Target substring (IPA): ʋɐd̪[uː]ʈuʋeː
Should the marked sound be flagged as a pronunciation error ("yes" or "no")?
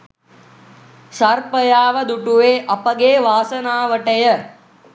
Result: yes